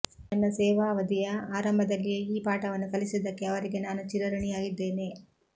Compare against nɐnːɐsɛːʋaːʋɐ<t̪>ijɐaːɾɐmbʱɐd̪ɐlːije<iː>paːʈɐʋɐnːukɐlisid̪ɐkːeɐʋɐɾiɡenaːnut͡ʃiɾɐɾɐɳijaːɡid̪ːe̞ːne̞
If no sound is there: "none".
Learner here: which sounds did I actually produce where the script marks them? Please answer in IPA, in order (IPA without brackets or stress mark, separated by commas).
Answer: d̪, iː